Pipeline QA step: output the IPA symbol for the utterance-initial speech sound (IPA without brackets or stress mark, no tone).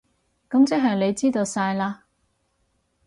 k